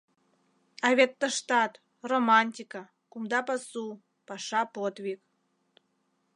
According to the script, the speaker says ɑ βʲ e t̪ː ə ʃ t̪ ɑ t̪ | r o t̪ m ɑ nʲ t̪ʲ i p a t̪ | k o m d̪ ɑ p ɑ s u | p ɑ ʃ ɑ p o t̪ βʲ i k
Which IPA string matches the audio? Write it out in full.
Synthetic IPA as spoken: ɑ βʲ e t̪ː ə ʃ t̪ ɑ t̪ | r o m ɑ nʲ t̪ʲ i k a | k u m d̪ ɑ p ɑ s u | p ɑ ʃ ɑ p o t̪ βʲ i k